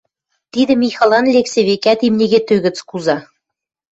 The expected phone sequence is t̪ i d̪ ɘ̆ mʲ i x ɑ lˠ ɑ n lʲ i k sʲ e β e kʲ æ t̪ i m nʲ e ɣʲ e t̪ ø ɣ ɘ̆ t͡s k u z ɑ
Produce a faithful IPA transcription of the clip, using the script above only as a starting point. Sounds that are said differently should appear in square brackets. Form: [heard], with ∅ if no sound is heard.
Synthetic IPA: t̪ i d̪ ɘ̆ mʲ i x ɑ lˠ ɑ n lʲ [e] k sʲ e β e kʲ æ t̪ i m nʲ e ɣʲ e t̪ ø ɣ ɘ̆ t͡s k u z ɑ